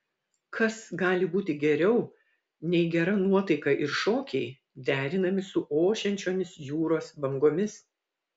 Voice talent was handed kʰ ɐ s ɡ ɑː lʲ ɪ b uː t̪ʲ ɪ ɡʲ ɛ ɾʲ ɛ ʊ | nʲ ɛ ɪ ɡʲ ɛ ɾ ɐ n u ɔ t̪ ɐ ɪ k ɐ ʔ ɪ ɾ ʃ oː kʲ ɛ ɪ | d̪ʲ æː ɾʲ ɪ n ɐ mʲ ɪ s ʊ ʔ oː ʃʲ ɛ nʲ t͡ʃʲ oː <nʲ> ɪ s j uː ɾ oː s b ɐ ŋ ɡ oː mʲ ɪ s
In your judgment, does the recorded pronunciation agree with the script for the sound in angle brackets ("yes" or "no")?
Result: no